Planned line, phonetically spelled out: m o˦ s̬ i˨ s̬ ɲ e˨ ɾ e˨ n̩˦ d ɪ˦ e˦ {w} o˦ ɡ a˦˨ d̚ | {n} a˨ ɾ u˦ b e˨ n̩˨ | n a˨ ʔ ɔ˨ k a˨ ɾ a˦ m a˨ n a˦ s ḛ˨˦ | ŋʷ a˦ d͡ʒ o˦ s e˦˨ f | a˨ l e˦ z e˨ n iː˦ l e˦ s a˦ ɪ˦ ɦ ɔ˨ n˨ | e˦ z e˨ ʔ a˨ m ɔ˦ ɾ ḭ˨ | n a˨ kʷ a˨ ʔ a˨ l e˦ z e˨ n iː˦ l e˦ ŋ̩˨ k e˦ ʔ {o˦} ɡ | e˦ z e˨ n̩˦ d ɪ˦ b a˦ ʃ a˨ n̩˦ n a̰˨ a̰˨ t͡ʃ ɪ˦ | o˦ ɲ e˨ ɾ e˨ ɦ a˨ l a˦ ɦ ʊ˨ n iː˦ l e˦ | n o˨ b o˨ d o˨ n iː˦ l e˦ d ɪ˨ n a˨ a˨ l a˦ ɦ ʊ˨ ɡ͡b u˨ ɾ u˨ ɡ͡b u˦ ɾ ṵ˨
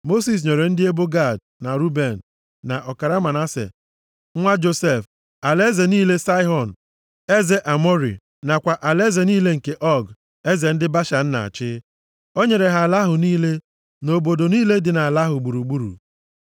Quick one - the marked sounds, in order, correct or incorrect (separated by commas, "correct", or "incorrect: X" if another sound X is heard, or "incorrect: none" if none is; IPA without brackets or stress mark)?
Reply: incorrect: b, correct, incorrect: ɔ˦